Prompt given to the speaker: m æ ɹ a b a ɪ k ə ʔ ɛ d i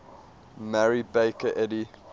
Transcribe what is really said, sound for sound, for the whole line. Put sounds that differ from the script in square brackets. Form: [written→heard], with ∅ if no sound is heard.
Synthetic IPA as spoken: m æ ɹ [a→i] b [a→e] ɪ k ə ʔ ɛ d i